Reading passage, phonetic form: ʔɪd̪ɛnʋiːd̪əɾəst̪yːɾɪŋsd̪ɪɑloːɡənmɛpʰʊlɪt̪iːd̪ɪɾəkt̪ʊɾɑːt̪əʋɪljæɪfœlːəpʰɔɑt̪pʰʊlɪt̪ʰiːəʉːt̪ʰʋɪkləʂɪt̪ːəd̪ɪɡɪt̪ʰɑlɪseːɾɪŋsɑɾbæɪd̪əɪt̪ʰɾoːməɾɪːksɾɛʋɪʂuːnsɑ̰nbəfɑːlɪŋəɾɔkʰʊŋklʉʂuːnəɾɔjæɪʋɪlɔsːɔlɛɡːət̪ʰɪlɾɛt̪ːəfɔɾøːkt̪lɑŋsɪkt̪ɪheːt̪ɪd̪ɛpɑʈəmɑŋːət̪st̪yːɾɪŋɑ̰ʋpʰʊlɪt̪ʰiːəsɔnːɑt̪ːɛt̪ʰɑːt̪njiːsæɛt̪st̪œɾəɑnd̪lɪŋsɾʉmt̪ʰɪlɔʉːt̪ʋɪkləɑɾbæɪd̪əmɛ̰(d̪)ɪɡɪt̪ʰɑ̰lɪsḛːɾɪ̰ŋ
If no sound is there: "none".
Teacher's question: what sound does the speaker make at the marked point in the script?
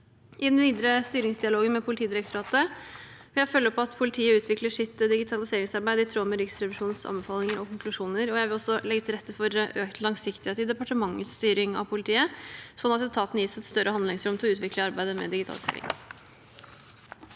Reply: d̪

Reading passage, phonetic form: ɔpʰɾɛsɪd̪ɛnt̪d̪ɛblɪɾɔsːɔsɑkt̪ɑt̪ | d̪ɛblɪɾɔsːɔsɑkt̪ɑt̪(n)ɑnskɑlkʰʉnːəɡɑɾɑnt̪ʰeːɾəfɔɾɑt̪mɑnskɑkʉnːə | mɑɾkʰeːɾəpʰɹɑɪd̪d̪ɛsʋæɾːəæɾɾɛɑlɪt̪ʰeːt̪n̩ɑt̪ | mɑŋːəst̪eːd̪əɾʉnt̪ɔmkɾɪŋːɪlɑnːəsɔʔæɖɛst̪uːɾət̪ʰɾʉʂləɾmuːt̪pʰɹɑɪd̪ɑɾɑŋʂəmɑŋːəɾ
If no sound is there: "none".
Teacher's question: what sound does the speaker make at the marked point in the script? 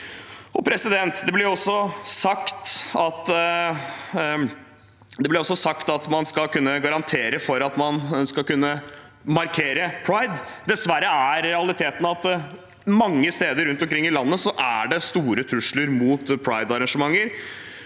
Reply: m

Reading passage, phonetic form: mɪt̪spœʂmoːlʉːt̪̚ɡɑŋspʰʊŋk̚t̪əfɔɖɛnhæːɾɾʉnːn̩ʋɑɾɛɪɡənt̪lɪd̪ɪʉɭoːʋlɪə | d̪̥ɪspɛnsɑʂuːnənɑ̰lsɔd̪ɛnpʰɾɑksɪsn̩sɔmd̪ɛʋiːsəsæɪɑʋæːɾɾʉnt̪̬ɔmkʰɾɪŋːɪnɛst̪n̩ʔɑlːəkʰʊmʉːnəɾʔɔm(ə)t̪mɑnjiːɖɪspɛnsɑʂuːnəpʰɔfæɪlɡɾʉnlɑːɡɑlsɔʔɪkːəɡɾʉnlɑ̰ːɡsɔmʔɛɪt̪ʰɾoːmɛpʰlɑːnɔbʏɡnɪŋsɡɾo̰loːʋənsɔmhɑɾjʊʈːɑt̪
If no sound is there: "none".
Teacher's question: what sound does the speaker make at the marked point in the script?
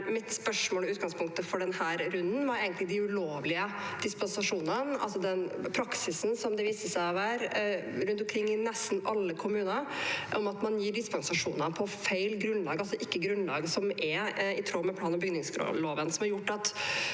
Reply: ɑ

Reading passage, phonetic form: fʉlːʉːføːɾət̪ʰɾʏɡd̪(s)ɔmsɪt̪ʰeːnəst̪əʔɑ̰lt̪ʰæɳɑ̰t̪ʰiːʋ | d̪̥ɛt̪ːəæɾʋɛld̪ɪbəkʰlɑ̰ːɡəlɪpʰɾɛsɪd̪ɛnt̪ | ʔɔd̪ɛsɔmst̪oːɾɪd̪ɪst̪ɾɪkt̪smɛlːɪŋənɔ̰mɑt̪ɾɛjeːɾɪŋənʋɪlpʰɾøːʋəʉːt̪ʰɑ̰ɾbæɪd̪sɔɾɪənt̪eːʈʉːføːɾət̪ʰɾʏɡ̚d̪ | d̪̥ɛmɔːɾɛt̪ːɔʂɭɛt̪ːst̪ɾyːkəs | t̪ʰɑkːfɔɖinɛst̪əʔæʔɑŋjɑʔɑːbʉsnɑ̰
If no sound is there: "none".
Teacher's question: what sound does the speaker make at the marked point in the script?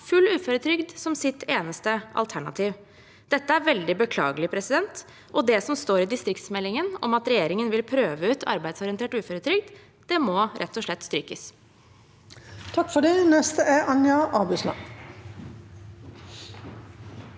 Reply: s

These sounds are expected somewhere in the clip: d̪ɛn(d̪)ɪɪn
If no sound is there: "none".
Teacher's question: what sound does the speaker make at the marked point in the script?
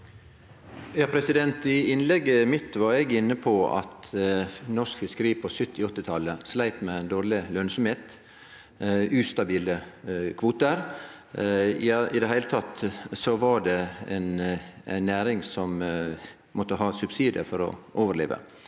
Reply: t̪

